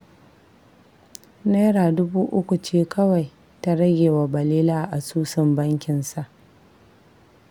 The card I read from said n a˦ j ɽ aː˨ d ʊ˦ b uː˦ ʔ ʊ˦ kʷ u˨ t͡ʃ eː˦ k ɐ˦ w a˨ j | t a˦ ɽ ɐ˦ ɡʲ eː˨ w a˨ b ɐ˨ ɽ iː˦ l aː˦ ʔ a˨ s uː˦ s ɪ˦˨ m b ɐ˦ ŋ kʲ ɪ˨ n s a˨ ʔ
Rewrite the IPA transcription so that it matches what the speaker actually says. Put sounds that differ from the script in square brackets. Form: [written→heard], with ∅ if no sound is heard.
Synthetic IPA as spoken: n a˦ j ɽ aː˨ d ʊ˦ b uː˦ ʔ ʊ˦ kʷ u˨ t͡ʃ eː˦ k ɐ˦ w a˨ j | t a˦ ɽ ɐ˦ ɡʲ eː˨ w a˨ b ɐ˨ [ɽ→l] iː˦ l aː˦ ʔ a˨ s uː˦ s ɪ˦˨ m b ɐ˦ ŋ kʲ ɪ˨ n s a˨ ʔ